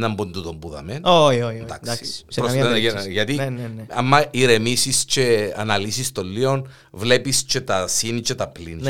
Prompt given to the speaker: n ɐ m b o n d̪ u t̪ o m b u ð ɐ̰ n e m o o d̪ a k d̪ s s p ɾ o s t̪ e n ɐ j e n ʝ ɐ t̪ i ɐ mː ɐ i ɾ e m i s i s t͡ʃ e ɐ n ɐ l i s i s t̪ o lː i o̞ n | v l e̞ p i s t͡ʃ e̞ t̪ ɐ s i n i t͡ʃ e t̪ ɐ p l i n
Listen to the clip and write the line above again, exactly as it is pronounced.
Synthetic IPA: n ɐ m b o n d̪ u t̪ o m b u ð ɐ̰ m e n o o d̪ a k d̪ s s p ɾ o s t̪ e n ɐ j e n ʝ ɐ t̪ i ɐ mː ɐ i ɾ e m i s i s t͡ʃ e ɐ n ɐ l i s i s t̪ o lː i o̞ n | v l e̞ p i s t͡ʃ e̞ t̪ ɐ s i n i t͡ʃ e t̪ ɐ p l i n